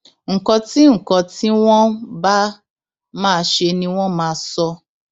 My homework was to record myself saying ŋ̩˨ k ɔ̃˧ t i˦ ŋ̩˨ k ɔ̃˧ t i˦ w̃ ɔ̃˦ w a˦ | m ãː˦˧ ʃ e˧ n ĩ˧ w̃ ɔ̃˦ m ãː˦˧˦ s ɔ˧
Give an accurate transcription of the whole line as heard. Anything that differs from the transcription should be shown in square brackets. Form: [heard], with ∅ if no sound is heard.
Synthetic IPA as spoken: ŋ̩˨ k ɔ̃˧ t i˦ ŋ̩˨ k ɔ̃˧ t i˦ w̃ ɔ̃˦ [b] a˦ | m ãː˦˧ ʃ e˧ n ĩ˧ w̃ ɔ̃˦ m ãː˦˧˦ s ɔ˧